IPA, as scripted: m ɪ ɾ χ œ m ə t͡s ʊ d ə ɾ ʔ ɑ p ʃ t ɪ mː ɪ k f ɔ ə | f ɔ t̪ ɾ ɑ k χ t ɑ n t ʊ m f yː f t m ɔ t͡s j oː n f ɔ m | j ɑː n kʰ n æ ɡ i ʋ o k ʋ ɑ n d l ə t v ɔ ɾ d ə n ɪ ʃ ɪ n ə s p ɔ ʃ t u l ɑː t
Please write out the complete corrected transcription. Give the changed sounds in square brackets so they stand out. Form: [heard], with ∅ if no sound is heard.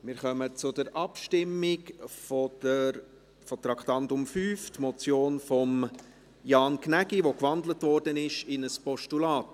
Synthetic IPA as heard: m ɪ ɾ χ œ m ə t͡s ʊ d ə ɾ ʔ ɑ p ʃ t ɪ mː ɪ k f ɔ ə | f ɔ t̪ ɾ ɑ k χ t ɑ n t ʊ m f yː f t m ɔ t͡s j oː n f ɔ m | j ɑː n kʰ n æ ɡ i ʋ o k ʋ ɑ n d l ə t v ɔ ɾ d ə n ɪ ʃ ɪ n ə s p ɔ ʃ t u l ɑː t